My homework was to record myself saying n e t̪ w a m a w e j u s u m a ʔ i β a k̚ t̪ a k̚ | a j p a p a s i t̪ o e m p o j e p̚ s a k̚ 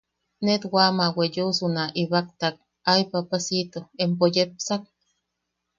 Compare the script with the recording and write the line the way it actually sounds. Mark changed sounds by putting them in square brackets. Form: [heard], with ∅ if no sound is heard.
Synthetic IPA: n e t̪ w a m a w e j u s u [n] a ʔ i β a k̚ t̪ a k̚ | a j p a p a s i t̪ o e m p o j e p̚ s a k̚